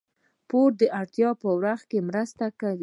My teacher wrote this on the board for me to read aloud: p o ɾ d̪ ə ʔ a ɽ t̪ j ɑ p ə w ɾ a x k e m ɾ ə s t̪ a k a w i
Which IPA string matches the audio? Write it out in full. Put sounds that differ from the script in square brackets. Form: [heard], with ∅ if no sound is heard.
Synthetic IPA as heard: p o ɾ d̪ ə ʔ a ɽ t̪ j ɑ p ə w ɾ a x k e m ɾ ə s t̪ a k a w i